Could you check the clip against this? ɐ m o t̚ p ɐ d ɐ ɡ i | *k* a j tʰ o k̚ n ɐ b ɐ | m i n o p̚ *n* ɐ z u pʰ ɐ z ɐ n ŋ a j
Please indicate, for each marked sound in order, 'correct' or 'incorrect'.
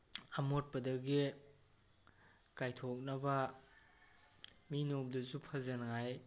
correct, incorrect: d

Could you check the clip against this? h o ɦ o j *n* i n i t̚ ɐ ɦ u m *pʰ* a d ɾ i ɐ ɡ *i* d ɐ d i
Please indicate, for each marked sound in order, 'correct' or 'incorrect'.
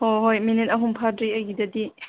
incorrect: m, correct, correct

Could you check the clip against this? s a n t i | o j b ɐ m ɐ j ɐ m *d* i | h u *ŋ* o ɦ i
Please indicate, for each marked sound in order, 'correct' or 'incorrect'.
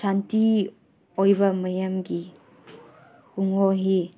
incorrect: ɡ, correct

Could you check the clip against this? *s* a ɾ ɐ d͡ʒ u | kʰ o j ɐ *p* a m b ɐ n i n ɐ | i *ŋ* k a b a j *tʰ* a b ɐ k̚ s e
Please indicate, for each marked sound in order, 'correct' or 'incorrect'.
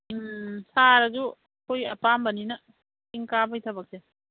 correct, correct, correct, correct

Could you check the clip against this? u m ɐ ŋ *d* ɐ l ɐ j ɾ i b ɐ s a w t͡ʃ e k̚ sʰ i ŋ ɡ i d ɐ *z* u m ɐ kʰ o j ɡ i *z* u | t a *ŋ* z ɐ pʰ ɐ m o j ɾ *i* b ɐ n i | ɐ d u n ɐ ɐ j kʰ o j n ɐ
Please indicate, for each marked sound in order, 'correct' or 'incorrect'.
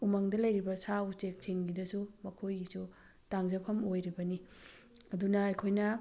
correct, incorrect: s, incorrect: s, correct, correct

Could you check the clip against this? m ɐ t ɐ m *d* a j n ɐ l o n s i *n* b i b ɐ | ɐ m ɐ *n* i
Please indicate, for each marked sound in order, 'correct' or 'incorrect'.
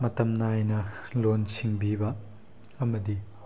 incorrect: n, incorrect: ŋ, incorrect: d

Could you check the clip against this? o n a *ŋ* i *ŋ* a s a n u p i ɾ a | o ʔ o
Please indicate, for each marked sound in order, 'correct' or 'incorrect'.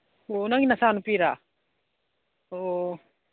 correct, incorrect: n

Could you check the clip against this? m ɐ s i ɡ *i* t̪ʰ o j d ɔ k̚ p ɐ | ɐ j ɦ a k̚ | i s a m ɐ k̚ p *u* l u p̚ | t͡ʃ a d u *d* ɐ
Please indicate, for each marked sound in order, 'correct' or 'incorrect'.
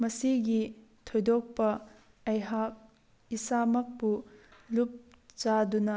correct, correct, incorrect: n

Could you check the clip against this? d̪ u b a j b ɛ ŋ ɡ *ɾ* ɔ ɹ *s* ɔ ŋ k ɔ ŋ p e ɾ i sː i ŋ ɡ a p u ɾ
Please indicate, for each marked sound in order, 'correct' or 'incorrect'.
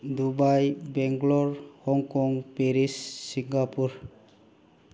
incorrect: l, incorrect: h

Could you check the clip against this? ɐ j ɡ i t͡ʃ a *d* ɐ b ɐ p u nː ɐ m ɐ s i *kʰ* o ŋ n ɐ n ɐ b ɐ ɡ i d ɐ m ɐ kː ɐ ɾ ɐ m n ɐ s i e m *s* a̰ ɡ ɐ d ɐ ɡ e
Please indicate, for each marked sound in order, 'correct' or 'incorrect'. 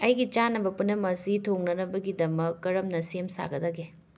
incorrect: n, incorrect: tʰ, correct

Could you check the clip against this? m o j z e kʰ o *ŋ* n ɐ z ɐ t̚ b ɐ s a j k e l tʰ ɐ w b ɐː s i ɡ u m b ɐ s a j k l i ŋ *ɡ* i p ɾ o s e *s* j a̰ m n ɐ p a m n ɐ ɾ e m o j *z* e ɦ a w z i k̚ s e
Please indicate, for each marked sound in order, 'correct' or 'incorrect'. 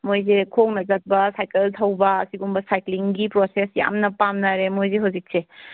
correct, correct, correct, correct

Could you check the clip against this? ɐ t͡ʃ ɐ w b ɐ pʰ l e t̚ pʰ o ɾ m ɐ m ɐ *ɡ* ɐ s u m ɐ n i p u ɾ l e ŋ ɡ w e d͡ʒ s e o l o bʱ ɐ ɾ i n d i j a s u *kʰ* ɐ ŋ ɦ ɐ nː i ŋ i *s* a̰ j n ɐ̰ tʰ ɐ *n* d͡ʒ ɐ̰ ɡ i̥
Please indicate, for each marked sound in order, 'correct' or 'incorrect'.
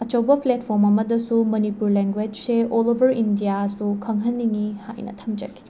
incorrect: d, correct, incorrect: h, incorrect: m

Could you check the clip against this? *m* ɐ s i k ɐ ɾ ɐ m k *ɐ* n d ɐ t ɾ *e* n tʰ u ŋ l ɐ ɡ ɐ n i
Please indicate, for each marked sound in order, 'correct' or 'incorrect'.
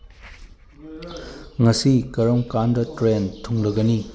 incorrect: ŋ, incorrect: a, correct

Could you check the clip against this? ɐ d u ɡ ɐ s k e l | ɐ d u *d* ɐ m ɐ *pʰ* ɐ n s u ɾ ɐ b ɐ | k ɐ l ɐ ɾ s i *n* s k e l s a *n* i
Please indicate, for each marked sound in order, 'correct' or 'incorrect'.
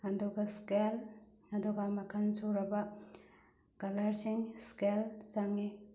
incorrect: ɡ, incorrect: kʰ, incorrect: ŋ, incorrect: ŋ

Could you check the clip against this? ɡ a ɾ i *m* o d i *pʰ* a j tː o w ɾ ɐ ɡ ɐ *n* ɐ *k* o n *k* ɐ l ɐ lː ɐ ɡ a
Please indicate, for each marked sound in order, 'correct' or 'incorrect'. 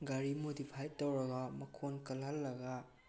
correct, correct, incorrect: m, incorrect: kʰ, correct

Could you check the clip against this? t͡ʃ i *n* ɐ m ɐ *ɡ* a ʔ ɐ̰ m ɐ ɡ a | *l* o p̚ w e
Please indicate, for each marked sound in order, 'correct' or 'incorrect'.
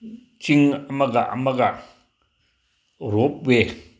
incorrect: ŋ, correct, incorrect: ɾ

